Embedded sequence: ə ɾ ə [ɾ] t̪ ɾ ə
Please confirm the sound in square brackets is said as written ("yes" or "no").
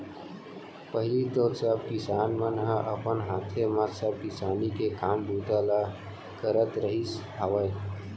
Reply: no